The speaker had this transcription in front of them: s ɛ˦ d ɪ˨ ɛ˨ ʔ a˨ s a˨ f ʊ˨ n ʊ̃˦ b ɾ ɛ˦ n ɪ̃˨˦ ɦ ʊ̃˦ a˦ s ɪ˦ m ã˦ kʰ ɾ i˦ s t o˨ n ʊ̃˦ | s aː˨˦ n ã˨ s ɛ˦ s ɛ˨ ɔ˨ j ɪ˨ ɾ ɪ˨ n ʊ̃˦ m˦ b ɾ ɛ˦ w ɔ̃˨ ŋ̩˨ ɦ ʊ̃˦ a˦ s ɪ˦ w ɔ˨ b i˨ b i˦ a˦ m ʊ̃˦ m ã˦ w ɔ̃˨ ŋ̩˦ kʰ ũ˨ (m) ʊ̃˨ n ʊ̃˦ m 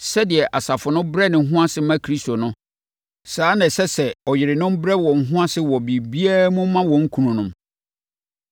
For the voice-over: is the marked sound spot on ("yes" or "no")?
no